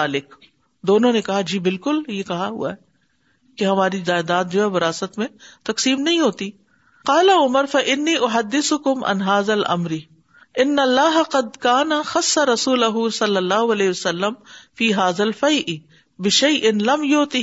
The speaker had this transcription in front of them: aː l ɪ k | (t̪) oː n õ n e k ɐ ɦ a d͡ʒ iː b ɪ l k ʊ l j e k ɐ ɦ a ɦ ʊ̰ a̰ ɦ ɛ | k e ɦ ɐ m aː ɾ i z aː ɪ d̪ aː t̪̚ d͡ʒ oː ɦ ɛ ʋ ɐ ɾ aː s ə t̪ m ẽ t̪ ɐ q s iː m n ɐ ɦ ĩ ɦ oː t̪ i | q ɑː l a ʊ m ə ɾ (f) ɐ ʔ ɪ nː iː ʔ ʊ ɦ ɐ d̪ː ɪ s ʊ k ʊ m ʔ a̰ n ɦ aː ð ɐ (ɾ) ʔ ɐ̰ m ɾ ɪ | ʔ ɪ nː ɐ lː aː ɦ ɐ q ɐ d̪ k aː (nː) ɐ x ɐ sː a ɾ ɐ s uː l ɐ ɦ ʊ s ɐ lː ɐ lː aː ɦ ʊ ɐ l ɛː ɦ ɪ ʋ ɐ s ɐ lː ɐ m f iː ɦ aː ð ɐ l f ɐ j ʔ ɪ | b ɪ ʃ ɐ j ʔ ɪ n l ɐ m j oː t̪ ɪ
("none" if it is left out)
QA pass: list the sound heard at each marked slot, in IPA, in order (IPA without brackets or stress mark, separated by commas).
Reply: d̪, f, l, n